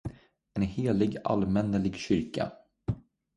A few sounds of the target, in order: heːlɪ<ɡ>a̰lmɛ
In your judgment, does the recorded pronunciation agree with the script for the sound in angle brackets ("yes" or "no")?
yes